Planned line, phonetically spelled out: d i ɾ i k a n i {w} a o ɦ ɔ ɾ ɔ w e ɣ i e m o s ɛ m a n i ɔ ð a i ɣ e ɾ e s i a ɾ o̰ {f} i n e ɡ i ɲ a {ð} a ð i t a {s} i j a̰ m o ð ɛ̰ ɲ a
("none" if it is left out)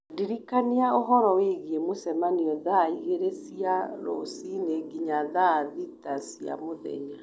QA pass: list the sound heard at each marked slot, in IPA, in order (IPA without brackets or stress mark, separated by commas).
none, s, ð, s